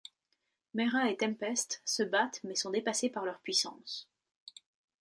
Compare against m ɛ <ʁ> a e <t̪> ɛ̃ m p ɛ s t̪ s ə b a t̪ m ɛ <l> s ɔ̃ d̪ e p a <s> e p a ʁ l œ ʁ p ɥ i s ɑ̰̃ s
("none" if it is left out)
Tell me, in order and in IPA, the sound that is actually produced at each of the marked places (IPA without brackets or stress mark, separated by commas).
ʁ, t̪, none, s